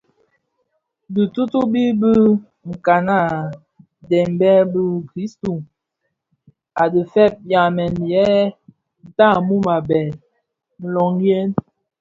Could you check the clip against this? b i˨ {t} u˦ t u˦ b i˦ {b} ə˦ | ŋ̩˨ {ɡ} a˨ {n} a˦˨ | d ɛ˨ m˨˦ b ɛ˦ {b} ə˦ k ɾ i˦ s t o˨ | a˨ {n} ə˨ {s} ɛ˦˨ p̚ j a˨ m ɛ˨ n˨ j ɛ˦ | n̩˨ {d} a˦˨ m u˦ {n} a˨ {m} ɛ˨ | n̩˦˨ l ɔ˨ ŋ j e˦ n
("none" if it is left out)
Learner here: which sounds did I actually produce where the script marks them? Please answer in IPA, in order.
t, b, k, n, b, d, f, t, m, b

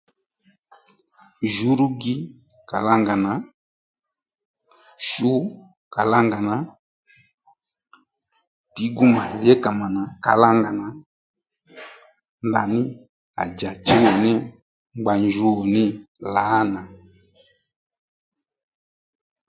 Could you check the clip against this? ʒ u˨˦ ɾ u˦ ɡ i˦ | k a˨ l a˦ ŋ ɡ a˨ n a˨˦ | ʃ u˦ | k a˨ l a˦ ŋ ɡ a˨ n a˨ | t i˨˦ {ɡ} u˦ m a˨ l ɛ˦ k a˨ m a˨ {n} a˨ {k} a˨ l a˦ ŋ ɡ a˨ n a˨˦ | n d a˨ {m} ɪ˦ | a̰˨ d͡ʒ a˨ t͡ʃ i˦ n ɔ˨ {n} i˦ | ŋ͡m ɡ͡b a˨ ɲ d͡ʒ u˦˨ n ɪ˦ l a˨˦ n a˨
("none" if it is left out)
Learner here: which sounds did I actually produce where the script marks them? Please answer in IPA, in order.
ɡ, n, k, n, n

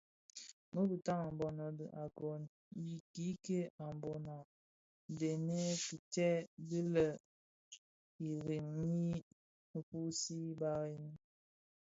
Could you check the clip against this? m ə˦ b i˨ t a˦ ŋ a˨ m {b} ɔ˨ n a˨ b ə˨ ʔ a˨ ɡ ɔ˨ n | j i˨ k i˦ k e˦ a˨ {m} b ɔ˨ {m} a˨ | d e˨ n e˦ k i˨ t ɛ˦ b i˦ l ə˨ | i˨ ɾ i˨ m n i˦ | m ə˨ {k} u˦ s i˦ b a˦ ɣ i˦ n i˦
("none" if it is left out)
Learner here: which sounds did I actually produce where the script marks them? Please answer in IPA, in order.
b, m, n, p

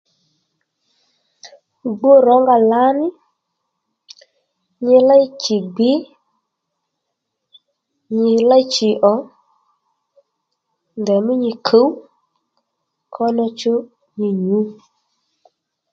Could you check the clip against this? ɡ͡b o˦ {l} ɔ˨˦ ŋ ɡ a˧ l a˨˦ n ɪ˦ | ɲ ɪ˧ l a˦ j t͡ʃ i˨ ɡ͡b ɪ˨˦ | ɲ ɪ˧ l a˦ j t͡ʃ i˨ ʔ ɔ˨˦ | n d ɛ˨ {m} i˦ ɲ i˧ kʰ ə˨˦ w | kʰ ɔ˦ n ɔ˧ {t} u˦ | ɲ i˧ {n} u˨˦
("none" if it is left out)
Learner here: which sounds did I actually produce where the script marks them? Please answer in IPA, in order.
ɾ, m, t͡ʃ, ɲ

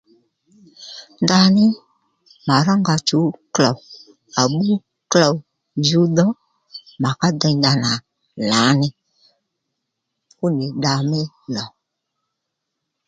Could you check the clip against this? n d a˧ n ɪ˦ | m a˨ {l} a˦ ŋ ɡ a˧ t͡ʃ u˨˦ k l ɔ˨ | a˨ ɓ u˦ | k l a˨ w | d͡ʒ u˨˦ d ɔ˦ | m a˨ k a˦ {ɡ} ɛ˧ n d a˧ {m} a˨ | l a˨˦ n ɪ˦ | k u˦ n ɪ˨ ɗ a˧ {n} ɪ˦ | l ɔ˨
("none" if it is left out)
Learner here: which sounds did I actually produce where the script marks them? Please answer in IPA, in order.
ɾ, d, n, m

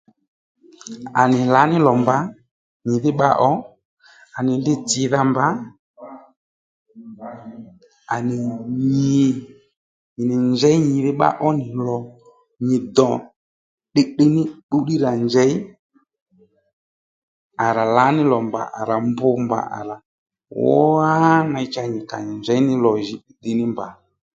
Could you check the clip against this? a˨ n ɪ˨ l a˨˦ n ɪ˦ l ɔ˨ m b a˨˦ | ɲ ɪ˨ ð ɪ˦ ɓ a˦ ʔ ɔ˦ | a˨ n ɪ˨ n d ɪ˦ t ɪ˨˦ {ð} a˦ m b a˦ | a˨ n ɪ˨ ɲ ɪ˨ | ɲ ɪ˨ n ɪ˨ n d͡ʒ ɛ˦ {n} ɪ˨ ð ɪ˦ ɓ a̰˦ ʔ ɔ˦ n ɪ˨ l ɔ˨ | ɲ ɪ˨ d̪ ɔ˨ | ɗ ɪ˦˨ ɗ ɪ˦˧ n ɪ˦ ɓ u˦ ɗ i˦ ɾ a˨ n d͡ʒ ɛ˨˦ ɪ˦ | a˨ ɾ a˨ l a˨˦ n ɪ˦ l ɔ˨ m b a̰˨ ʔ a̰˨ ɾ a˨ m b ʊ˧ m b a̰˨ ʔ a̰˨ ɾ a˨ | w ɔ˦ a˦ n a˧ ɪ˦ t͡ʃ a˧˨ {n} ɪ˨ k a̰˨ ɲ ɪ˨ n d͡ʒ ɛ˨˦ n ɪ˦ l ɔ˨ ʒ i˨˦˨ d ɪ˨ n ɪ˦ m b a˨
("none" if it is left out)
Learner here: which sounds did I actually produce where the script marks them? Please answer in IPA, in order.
ð, ɲ, ɲ

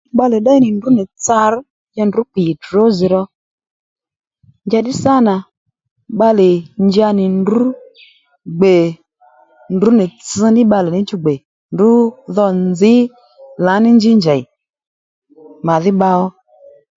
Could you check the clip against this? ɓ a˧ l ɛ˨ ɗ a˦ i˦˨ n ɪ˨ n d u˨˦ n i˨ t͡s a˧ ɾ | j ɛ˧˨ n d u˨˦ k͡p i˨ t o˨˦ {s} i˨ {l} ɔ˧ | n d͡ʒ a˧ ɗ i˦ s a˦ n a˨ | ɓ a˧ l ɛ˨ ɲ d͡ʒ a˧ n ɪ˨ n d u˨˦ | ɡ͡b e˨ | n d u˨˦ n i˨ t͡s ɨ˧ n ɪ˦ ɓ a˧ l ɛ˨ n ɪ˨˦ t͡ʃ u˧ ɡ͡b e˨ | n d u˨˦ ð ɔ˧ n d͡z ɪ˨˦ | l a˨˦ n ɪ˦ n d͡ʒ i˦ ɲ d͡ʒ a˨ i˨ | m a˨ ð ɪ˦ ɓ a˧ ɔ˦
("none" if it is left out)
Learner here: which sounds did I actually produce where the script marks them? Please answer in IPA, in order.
z, ɾ

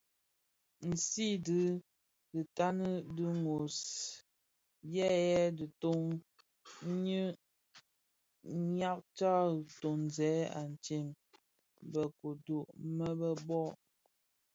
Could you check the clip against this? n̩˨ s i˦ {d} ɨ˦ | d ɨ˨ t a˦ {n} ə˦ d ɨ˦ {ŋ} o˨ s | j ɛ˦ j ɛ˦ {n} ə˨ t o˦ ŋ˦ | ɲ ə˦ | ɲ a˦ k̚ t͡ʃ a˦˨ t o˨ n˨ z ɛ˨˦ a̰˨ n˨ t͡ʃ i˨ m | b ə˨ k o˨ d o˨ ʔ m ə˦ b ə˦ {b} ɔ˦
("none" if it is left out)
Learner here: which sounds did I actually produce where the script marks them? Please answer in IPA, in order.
d, n, ŋ, d, b

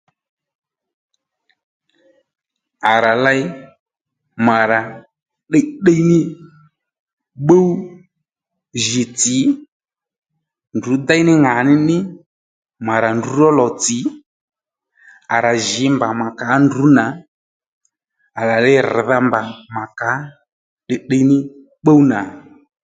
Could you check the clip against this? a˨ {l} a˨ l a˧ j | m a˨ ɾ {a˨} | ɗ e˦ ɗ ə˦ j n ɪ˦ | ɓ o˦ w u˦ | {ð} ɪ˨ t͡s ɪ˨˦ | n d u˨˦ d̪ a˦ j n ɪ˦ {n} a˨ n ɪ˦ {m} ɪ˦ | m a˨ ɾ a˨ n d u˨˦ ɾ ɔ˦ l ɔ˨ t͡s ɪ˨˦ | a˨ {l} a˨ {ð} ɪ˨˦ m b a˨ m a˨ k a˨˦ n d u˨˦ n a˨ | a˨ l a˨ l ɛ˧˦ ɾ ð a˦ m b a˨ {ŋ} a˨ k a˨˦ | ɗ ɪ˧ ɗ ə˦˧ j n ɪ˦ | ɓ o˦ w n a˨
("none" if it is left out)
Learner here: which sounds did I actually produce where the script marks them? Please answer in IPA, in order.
ɾ, a˨, ʒ, ŋ, n, ɾ, ʒ, m

